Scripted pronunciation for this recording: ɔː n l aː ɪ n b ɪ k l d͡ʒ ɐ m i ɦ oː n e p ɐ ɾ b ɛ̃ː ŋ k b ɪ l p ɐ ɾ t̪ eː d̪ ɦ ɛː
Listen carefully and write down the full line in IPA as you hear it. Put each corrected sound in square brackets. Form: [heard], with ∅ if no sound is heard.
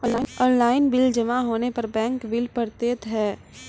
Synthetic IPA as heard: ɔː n l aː ɪ n b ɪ [∅] l d͡ʒ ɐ m [a] ɦ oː n e p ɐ ɾ b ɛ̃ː ŋ k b ɪ l p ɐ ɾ t̪ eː [t̪] ɦ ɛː

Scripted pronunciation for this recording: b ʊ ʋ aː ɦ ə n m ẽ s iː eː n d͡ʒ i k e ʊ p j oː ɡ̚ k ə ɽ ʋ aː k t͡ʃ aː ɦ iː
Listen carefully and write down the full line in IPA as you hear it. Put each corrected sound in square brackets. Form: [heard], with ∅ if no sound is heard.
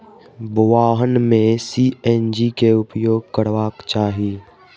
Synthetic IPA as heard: b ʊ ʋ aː ɦ ə n m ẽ s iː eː n d͡ʒ i k e ʊ p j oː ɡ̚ k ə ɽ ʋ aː k t͡ʃ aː ɦ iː

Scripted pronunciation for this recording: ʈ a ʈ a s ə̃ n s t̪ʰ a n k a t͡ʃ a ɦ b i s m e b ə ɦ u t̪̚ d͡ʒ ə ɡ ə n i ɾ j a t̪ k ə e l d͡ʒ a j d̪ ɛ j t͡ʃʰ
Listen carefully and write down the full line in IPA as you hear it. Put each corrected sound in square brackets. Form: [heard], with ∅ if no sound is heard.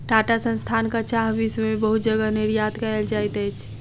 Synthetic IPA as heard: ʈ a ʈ a s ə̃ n s t̪ʰ a n k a t͡ʃ a ɦ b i s m e b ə ɦ u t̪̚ d͡ʒ ə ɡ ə n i ɾ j a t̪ k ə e l d͡ʒ a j [t̪] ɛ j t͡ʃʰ

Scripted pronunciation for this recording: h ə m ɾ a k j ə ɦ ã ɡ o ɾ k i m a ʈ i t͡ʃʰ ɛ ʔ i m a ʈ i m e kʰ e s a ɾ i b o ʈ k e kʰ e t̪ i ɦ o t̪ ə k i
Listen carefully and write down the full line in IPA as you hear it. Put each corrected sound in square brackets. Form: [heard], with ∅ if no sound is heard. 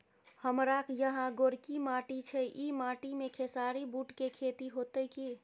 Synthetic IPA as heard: h ə m ɾ a k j ə ɦ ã ɡ o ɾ k i m a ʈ i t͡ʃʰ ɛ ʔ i m a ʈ i m e kʰ e s a ɾ i b [u] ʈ k e kʰ e t̪ i ɦ o t̪ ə k i

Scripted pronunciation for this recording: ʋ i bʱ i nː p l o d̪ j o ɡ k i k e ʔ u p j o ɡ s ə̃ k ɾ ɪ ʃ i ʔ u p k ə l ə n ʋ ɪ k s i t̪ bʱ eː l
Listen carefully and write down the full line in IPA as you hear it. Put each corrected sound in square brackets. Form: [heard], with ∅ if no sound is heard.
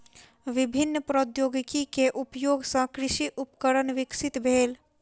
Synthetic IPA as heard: ʋ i bʱ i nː p [ɾ] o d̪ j o ɡ k i k e ʔ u p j o ɡ s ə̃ k ɾ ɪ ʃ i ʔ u p k ə [ɾ] ə n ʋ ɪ k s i t̪ bʱ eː l

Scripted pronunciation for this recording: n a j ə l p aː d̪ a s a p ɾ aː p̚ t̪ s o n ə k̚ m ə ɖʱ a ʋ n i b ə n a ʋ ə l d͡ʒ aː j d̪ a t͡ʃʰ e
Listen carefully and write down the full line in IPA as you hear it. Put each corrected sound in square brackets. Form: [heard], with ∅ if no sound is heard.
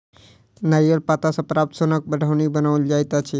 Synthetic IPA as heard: n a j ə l p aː [t̪] a s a p ɾ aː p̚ t̪ s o n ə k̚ [b] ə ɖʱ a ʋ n i b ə n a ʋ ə l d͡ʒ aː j [t̪] a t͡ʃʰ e

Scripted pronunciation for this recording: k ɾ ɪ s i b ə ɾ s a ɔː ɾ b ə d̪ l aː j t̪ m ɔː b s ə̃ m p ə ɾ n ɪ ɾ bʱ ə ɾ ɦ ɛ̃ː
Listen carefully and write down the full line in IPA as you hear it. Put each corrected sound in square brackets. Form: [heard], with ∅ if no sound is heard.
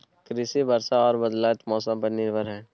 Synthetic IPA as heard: k ɾ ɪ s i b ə ɾ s a ɔː ɾ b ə d̪ l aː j t̪ m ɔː [∅] s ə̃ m p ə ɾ n ɪ ɾ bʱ ə ɾ ɦ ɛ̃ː

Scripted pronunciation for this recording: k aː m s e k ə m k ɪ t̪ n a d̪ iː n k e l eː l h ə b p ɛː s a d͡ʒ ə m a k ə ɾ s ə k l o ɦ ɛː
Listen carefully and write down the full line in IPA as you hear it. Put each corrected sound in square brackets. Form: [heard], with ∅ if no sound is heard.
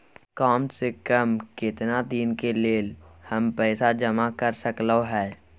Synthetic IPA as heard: k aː m s e k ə m k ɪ t̪ n a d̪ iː n k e l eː l h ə [m] p ɛː s a d͡ʒ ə m a k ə ɾ s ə k l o ɦ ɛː

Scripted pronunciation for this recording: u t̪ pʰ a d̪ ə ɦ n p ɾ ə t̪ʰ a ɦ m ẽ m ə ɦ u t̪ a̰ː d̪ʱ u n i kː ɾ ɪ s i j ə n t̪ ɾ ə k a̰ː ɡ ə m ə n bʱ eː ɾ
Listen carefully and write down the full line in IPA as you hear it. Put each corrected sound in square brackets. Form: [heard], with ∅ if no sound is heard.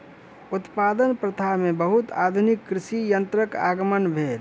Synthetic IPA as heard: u t̪ [p] a d̪ ə [∅] n p ɾ ə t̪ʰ a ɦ m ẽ [b] ə ɦ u t̪ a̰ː d̪ʱ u n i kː ɾ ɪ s i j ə n t̪ ɾ ə k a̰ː ɡ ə m ə n bʱ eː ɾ

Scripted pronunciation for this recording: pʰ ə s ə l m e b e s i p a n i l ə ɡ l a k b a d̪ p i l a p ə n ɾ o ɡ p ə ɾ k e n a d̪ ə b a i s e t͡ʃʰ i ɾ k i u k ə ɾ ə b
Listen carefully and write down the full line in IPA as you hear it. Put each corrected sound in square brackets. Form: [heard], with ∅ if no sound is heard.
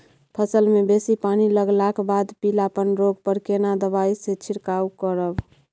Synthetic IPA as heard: pʰ ə s ə l m e b e s i p a n i l ə ɡ l a k b a d̪ p i l a p ə n ɾ o ɡ p ə ɾ k e n a d̪ ə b a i s e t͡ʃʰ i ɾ k [a] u k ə ɾ ə b

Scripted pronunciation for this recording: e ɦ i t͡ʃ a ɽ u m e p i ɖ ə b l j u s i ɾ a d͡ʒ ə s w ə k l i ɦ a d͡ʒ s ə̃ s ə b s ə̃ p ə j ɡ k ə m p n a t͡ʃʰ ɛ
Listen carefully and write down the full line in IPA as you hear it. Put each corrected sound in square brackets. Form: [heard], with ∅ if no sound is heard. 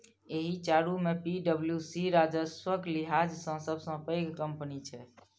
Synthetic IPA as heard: e ɦ i t͡ʃ a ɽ u m e p i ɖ ə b l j u s i ɾ a d͡ʒ ə s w ə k l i ɦ a d͡ʒ s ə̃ s ə b s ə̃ p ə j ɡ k ə m p n [i] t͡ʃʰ ɛ

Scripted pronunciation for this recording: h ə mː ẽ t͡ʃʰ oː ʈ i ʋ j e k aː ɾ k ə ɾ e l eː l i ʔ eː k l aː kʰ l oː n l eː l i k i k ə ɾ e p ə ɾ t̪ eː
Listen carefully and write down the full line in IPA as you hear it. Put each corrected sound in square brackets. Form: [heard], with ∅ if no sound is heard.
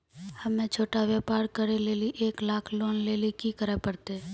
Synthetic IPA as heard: h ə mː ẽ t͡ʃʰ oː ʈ [a] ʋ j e [p] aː ɾ k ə ɾ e l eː l i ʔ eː k l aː kʰ l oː n l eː l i k i k ə ɾ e p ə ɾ t̪ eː

